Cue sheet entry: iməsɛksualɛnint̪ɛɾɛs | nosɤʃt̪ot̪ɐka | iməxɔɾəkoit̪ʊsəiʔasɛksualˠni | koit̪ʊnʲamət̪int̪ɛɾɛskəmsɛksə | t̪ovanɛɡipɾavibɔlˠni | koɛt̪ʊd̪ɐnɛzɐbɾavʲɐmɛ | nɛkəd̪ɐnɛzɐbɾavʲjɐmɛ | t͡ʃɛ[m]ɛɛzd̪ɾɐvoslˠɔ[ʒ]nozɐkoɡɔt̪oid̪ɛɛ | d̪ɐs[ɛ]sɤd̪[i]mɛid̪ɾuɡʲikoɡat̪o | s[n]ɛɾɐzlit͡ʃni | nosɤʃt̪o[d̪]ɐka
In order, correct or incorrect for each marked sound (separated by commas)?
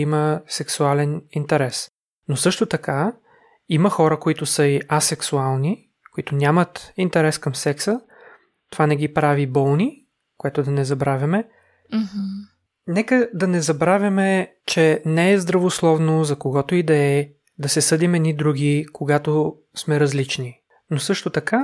incorrect, incorrect, correct, correct, incorrect, incorrect